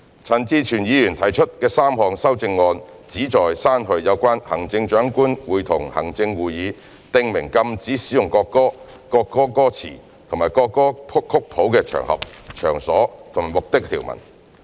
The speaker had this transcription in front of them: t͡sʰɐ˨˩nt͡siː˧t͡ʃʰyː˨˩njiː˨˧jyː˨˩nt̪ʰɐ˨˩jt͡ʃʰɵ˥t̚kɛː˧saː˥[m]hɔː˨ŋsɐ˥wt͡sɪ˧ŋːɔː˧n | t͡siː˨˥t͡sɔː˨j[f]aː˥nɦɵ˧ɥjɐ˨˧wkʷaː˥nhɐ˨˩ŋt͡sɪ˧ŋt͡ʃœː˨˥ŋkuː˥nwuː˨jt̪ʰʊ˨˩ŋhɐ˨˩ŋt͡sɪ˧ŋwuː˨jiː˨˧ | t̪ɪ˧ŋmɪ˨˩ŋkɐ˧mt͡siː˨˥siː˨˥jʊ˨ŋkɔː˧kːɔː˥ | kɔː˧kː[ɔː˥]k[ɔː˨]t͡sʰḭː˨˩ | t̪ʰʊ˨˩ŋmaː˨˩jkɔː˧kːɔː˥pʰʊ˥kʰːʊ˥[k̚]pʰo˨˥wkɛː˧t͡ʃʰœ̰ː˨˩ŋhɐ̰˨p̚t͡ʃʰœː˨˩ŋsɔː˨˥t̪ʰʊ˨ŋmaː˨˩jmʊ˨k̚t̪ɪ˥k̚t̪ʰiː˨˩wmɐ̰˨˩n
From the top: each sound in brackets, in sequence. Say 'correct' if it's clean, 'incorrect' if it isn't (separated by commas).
correct, incorrect, correct, incorrect, correct